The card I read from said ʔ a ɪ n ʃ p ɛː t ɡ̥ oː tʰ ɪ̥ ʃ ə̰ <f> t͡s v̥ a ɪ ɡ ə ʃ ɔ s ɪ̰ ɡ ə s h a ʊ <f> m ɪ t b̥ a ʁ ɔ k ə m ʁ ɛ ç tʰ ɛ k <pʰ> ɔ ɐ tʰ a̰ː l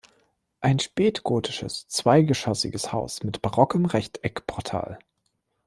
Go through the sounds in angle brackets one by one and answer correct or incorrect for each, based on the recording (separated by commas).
incorrect, incorrect, correct